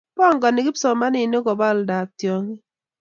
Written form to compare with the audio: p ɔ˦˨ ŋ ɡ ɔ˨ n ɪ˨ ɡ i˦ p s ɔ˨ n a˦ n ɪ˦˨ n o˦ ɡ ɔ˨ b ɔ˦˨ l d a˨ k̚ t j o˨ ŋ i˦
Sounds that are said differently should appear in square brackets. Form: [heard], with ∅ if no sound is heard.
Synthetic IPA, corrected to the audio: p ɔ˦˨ ŋ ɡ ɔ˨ n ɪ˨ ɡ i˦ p s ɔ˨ [m] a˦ n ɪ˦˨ n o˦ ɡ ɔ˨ b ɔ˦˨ l d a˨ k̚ t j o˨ ŋ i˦